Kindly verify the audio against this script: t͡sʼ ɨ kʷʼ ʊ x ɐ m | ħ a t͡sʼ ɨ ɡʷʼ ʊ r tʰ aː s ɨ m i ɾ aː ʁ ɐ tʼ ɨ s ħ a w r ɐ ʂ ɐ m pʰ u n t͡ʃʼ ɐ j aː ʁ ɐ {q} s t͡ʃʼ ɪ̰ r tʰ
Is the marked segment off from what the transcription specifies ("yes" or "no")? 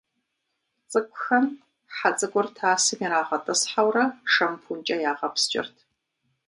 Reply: yes